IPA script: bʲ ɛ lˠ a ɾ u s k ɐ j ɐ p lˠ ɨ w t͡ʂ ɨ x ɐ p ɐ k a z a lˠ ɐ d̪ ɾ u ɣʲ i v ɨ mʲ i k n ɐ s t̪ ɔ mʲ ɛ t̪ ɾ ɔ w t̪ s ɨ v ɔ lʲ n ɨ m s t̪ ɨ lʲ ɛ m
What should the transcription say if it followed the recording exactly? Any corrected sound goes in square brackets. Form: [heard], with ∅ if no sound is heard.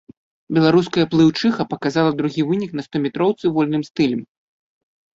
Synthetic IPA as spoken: bʲ ɛ lˠ a ɾ u s k ɐ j ɐ p lˠ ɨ w t͡ʂ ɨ x ɐ p ɐ k a z a lˠ ɐ d̪ ɾ u ɣʲ i v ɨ [nʲ] i k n ɐ s t̪ ɔ mʲ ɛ t̪ ɾ ɔ w t̪ s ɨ v ɔ lʲ n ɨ m s t̪ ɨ lʲ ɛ m